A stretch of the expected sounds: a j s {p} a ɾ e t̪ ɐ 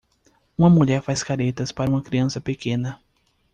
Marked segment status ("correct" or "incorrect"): incorrect